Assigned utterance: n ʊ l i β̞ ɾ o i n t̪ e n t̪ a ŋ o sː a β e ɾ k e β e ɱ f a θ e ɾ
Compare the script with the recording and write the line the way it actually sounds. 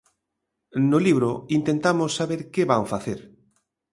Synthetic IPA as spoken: n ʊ l i β̞ ɾ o i n t̪ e n t̪ a m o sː a β e ɾ k e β a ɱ f a θ e ɾ